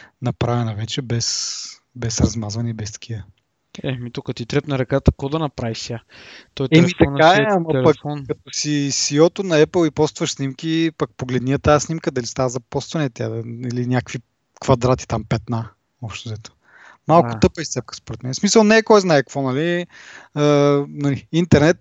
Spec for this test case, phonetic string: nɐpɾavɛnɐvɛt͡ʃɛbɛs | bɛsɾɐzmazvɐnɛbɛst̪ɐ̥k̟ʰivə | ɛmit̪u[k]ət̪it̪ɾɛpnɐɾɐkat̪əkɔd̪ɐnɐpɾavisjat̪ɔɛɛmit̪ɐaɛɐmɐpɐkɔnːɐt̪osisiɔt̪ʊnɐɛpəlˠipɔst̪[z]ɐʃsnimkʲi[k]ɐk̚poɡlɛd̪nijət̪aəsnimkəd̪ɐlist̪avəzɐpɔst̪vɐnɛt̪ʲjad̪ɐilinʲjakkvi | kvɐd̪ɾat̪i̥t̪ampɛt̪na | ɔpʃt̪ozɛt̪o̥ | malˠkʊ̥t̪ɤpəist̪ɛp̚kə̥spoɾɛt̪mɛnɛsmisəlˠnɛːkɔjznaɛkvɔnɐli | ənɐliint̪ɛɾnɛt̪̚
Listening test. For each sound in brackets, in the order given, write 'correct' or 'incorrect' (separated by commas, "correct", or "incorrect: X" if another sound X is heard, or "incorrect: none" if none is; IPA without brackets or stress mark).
correct, incorrect: v, incorrect: p